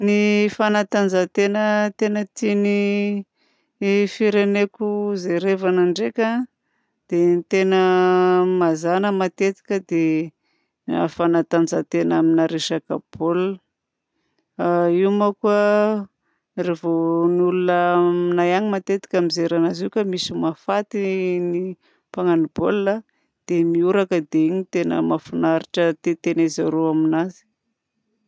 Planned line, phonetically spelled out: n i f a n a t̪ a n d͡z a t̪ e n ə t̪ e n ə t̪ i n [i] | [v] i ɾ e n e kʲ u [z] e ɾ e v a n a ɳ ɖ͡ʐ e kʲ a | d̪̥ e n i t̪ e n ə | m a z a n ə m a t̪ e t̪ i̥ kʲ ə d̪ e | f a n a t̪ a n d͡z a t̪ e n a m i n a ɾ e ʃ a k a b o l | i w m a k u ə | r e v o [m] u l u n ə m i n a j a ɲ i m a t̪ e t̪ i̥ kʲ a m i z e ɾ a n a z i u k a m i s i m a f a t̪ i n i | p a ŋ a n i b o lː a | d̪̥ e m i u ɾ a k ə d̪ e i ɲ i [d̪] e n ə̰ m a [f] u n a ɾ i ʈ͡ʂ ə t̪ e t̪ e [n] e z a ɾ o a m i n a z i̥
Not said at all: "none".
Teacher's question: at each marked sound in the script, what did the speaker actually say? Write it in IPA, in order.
i, f, z, n, t̪, f, n

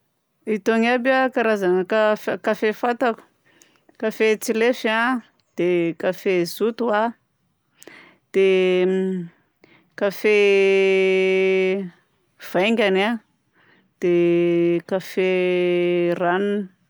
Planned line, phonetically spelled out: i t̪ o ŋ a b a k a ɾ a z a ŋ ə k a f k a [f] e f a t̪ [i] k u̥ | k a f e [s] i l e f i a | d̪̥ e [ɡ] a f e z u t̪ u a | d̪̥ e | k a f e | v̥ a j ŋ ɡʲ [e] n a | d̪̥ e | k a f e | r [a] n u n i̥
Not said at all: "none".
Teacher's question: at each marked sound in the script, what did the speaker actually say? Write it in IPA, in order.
f, a, t͡s, k, a, a

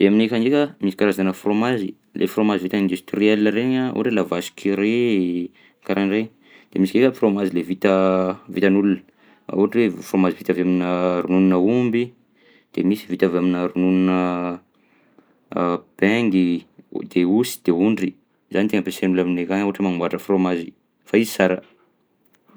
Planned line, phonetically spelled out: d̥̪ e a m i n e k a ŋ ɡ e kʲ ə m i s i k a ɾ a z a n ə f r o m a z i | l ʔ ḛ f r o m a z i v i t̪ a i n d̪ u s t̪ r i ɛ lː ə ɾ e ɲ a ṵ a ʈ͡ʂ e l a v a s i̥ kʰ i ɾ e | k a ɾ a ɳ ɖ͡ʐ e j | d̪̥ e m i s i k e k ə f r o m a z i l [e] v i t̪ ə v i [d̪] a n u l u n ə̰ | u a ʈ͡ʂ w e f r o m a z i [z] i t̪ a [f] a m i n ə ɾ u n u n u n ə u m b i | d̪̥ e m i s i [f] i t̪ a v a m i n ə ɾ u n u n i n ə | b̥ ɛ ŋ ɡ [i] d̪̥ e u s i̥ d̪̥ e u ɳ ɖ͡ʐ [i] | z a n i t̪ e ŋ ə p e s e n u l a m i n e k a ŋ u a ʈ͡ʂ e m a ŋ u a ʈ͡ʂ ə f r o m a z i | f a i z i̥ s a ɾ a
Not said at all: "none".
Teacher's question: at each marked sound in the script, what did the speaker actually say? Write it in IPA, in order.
e, t̪, v, v, v, i, i

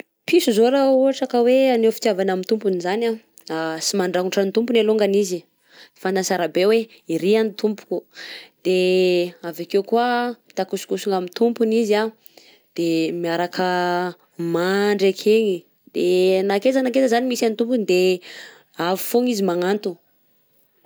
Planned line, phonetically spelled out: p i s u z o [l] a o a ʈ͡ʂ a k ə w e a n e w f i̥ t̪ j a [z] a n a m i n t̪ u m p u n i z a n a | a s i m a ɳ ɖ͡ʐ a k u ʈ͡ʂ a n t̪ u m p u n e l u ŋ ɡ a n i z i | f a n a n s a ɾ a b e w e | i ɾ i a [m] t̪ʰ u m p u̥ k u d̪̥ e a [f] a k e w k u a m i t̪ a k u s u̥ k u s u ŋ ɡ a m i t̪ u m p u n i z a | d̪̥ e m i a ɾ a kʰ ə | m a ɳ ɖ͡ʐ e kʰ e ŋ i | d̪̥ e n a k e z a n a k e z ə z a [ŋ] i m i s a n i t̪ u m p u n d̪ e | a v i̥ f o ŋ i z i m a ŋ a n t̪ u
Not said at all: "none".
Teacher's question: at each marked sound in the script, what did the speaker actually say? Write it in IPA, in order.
ɾ, v, n, v, n

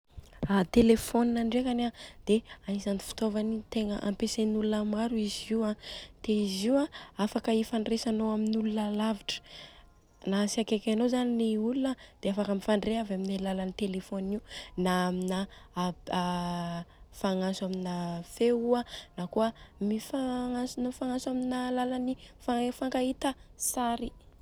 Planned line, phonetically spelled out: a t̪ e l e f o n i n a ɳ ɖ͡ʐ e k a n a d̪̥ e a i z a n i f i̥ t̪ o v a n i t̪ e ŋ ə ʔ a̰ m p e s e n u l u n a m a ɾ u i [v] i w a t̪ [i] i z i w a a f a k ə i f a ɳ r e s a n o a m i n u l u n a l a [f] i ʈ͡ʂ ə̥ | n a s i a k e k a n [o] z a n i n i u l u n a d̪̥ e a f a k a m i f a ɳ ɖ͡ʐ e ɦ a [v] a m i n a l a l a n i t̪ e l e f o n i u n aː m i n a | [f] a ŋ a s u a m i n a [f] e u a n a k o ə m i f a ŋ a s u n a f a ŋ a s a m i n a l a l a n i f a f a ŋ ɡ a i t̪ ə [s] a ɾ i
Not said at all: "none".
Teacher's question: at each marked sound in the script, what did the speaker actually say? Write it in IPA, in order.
z, e, v, o, v, f, f, s

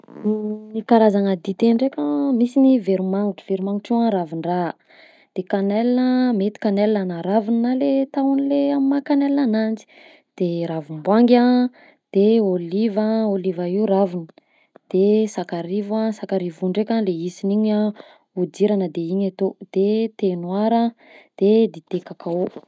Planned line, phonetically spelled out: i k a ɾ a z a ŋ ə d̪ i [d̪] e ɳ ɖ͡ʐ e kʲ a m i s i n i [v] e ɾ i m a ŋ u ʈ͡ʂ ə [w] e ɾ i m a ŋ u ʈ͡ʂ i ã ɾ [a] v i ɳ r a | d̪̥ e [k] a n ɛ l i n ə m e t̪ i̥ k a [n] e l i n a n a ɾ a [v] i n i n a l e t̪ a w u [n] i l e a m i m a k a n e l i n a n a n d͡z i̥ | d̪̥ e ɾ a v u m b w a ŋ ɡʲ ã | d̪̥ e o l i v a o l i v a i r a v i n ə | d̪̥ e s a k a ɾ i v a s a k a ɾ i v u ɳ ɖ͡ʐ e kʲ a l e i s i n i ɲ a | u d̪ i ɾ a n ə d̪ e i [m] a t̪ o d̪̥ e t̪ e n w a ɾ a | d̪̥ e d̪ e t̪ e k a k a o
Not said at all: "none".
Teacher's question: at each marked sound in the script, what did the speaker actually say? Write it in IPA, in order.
t̪, v, v, a, k, n, v, n, ɲ

